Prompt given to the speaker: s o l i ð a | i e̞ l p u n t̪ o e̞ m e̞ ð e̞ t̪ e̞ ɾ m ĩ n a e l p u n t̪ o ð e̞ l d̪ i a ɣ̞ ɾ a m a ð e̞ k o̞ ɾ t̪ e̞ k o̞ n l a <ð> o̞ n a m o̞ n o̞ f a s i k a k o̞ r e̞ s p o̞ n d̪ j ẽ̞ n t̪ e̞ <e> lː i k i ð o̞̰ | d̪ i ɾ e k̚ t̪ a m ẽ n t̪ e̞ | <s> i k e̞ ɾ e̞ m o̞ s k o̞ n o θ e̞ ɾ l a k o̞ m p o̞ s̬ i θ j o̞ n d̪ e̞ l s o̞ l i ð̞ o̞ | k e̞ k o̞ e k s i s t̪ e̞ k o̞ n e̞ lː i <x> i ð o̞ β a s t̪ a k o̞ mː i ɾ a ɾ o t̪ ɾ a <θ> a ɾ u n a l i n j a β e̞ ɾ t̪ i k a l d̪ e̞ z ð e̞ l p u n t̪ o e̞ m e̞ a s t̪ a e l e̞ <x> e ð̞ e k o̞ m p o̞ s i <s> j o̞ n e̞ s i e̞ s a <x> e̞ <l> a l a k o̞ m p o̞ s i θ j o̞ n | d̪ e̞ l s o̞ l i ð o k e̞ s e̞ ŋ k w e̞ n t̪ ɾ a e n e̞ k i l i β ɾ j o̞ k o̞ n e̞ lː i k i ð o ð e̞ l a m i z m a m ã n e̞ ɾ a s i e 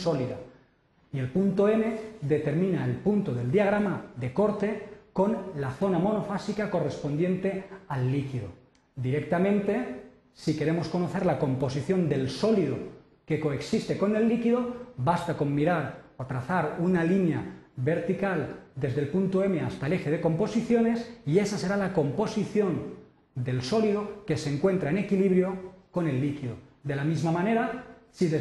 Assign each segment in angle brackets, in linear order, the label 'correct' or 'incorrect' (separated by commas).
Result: incorrect, incorrect, correct, incorrect, correct, correct, incorrect, incorrect, incorrect